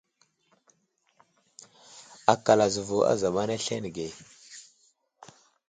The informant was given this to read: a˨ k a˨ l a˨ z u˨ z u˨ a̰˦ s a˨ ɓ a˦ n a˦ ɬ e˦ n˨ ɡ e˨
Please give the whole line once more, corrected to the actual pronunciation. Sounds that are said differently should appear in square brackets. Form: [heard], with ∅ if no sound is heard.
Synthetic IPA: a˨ k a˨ l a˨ z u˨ [v] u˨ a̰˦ [z] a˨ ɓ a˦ n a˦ ɬ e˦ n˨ ɡ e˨